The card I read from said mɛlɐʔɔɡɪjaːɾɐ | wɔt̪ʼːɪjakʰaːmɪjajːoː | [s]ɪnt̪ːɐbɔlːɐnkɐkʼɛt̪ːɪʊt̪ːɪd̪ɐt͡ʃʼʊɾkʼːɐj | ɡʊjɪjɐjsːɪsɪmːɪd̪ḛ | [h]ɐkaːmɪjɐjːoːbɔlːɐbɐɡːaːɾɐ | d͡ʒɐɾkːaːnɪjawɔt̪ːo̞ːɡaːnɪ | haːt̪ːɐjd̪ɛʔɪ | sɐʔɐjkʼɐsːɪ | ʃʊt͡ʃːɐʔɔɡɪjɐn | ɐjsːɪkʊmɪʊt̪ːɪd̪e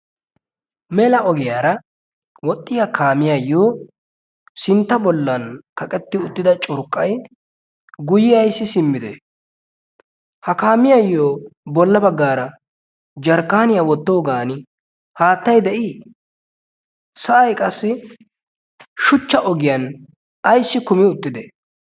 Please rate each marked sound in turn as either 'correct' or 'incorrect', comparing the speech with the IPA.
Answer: correct, correct

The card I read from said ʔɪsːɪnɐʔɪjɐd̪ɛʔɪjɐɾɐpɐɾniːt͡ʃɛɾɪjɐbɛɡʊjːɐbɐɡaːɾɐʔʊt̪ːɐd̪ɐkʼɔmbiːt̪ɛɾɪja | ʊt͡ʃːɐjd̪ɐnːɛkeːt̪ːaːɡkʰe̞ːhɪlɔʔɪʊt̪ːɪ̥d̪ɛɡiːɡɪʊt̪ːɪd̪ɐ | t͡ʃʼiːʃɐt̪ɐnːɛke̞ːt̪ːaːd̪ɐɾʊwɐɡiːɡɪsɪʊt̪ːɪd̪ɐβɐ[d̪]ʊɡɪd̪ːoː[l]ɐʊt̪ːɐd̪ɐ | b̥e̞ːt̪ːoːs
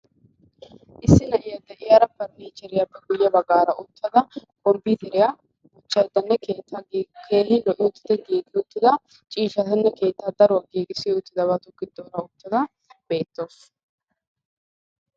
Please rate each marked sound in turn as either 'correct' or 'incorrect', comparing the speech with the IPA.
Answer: incorrect: t̪, incorrect: ɾ

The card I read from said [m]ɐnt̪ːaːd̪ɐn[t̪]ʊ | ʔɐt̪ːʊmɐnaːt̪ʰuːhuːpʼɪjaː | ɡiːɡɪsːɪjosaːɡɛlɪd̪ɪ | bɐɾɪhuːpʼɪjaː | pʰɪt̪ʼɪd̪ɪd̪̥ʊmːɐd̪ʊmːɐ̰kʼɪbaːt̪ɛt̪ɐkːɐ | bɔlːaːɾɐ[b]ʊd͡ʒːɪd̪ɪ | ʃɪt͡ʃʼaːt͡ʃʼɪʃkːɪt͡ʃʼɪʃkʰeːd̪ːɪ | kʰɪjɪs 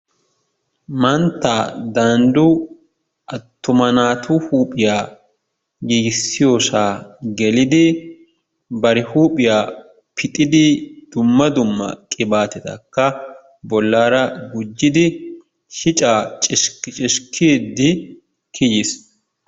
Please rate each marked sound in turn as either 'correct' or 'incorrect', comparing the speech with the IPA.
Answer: correct, incorrect: d̪, incorrect: ɡ

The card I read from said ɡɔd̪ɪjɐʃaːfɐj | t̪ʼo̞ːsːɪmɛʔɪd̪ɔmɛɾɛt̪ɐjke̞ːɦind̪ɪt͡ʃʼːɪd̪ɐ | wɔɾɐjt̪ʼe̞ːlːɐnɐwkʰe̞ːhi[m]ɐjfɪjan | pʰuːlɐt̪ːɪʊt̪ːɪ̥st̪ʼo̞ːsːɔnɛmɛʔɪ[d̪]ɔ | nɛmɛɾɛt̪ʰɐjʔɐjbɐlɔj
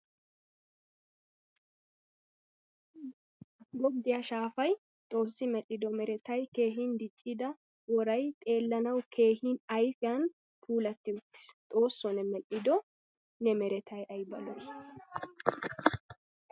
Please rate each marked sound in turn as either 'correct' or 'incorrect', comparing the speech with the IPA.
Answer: incorrect: n, correct

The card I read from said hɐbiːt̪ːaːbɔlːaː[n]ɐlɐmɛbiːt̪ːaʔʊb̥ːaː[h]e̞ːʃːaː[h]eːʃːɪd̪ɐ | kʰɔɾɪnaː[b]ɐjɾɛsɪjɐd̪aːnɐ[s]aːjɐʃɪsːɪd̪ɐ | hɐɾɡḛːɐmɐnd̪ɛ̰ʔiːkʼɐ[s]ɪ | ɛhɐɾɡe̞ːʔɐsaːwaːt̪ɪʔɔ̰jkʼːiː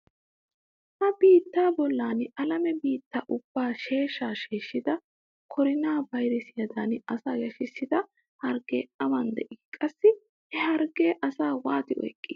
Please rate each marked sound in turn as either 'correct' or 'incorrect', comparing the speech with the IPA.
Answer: correct, incorrect: ʃ, incorrect: ʃ, correct, correct, incorrect: sː

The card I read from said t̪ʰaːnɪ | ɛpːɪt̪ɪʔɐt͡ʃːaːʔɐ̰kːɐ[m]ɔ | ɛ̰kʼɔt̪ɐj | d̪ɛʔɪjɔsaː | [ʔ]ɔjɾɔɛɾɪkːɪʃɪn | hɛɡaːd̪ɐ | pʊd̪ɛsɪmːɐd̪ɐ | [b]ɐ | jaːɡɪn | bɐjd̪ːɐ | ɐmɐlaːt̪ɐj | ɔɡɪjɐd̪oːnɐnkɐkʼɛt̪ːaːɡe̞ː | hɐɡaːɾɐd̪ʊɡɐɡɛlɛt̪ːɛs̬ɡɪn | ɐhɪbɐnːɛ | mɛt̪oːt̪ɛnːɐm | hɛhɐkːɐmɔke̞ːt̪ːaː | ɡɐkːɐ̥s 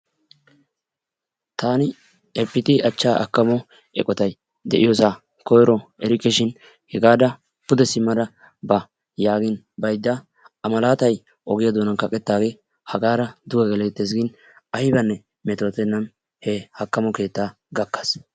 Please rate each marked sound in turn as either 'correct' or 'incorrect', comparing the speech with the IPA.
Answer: correct, incorrect: k, correct

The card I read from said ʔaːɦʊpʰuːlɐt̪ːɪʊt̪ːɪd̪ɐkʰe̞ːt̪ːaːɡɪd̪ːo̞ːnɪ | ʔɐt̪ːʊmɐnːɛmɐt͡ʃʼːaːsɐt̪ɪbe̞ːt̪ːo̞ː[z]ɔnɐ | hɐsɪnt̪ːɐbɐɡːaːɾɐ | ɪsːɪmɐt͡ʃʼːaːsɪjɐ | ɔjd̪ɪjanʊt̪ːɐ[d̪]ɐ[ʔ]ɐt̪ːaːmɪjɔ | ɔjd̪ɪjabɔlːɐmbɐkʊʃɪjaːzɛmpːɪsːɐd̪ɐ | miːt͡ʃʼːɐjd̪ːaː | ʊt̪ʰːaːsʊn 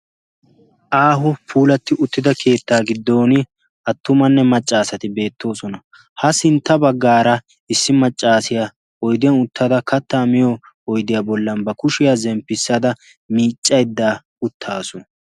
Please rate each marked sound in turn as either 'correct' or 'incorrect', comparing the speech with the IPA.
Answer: incorrect: s, correct, incorrect: k

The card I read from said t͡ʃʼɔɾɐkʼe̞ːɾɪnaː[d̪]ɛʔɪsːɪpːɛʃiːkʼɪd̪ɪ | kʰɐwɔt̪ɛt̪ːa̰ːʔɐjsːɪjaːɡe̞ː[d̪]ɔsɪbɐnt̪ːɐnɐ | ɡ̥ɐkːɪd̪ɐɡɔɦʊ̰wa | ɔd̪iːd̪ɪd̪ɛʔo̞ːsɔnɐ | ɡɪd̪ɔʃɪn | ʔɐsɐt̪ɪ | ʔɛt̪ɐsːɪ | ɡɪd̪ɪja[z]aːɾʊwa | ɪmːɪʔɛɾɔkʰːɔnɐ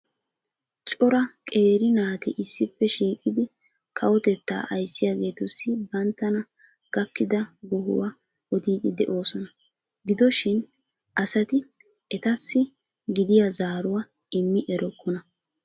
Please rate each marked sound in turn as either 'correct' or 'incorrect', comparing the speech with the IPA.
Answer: incorrect: t̪, incorrect: t̪, correct

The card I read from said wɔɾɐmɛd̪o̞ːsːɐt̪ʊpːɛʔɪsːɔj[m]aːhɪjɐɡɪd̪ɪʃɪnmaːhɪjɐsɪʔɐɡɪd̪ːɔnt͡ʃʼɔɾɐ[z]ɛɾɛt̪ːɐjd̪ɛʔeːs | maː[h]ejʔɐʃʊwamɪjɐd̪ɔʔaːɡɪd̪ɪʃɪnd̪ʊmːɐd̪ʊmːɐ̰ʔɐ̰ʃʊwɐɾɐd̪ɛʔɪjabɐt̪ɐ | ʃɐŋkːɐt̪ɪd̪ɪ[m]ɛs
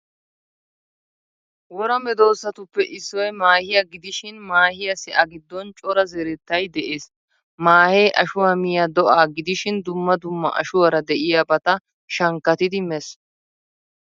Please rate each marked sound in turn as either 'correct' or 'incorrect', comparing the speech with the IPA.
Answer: correct, correct, correct, correct

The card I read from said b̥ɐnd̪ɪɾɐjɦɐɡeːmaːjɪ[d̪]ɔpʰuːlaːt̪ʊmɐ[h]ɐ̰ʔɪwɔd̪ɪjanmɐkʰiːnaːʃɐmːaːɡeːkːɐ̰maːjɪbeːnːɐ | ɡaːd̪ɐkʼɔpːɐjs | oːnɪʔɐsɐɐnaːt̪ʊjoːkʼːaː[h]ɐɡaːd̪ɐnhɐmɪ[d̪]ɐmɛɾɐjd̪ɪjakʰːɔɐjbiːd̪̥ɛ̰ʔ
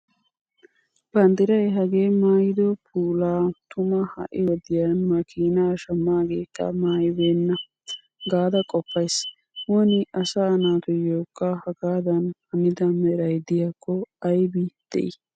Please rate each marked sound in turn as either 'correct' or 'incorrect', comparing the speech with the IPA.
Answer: correct, correct, correct, correct

